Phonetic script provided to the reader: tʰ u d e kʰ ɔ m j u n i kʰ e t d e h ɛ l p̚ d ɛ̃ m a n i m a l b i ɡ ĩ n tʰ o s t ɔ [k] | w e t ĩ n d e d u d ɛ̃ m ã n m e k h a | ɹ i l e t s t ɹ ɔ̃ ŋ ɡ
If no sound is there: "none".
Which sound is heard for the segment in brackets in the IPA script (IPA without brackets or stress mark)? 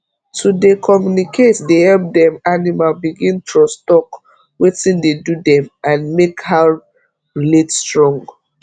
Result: k